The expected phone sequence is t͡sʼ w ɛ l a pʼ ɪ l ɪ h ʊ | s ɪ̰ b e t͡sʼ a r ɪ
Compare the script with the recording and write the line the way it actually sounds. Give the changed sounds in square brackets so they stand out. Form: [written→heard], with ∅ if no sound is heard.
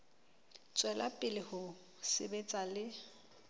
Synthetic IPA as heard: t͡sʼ w ɛ l a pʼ ɪ l ɪ h ʊ | s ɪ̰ b e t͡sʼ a [r→l] ɪ